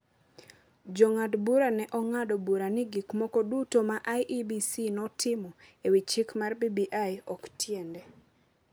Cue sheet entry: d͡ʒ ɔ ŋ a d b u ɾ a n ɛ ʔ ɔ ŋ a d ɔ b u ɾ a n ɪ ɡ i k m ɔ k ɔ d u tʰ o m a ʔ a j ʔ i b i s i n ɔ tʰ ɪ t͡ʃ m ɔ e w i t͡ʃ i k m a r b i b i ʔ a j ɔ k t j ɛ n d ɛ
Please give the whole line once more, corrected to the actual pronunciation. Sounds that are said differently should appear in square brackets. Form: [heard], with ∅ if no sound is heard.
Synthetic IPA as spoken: d͡ʒ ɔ ŋ a d b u ɾ a n ɛ ʔ ɔ ŋ a d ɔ b u ɾ a n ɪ ɡ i k m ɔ k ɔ d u [t] o m a ʔ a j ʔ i b i s i n ɔ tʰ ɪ [∅] m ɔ e w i t͡ʃ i k m a r b i b i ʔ a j ɔ k t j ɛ n d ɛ